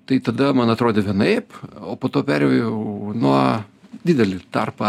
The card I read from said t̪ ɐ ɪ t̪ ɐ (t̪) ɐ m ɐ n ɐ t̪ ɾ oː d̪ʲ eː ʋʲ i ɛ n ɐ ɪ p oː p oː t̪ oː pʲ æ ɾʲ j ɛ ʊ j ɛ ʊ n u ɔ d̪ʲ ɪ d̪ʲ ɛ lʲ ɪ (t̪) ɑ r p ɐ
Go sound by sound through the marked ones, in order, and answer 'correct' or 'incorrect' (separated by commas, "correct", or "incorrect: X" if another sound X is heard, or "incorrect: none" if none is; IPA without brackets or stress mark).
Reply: incorrect: d̪, correct